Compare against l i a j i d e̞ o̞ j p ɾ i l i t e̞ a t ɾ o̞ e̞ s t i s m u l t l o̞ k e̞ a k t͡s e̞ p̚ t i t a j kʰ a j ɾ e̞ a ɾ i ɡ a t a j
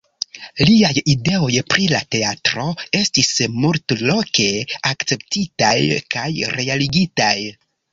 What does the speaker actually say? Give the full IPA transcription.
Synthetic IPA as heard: l i a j i d e̞ o̞ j p ɾ i l a t e̞ a t ɾ o̞ e̞ s t i s m u l t l o̞ k e̞ a k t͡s e̞ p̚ t i t a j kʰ a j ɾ e̞ a l i ɡ i t a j

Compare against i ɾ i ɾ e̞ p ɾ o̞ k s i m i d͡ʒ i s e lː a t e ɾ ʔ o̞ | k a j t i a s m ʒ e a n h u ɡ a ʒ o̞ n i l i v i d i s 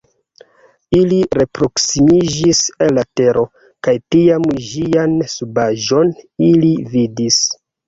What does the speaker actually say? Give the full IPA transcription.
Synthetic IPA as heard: i l i ɾ e̞ p ɾ o̞ k s i m i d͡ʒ i s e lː a t e ɾ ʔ o̞ | k a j t i a m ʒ i a n s u b a ʒ o̞ n i l i v i d i s

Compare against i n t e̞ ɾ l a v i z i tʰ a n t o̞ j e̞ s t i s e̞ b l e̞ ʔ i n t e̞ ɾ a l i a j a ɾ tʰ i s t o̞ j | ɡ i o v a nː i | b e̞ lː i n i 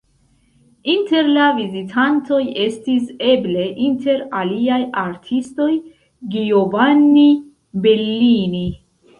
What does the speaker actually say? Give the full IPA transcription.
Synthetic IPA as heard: i n t e̞ ɾ l a v i z i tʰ a n t o̞ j e̞ s t i s e̞ b l e̞ ʔ i n t e̞ ɾ a l i a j a ɾ tʰ i s t o̞ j | ɡ i o v a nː i | b e̞ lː i n i

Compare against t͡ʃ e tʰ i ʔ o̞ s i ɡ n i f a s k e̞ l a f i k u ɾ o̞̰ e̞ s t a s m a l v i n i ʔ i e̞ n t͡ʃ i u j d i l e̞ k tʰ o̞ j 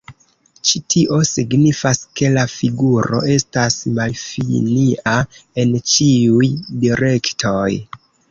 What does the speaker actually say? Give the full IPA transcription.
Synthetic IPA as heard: t͡ʃ i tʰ i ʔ o̞ s i ɡ n i f a s k e̞ l a f i ɡ u ɾ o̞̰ e̞ s t a s m a l f i n i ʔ a e̞ n t͡ʃ i u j d i ɾ e̞ k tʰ o̞ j

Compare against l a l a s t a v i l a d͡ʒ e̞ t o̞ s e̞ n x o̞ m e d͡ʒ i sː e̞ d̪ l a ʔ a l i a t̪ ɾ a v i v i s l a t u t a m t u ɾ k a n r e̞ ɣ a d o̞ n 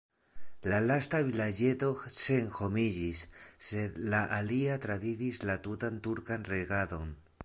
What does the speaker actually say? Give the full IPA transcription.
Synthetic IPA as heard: l a l a s t a v i l a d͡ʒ e̞ t o̞ s e̞ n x o̞ m i d͡ʒ i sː e̞ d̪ l a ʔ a l i a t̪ ɾ a v i v i s l a t u t a n t u ɾ k a n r e̞ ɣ a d o̞ n

